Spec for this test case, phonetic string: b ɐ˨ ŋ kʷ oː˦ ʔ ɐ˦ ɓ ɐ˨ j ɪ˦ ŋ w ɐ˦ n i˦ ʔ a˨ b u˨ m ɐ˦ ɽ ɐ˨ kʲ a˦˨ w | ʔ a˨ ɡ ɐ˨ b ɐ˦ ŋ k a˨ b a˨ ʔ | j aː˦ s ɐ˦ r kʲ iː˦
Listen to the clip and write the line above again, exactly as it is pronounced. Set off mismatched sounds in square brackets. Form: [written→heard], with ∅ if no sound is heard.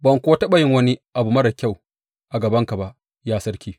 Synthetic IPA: b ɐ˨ ŋ kʷ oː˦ [ʔ→t] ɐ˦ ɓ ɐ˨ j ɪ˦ ŋ w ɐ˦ n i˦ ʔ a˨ b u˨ m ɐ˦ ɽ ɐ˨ kʲ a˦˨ w | ʔ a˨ ɡ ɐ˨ b ɐ˦ ŋ k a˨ b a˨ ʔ | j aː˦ s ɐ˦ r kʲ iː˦